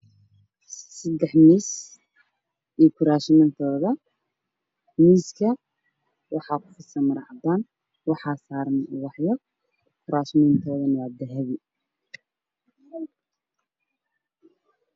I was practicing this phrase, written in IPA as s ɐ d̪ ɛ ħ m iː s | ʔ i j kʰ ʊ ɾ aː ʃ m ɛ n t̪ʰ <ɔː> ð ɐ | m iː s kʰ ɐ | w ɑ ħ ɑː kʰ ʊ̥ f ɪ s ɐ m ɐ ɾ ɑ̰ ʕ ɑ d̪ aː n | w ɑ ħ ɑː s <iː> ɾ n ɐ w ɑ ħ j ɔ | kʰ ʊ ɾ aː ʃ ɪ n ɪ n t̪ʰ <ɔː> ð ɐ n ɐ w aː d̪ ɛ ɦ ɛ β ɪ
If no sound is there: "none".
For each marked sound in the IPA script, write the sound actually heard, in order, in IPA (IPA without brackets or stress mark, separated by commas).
ɔː, aː, ɔː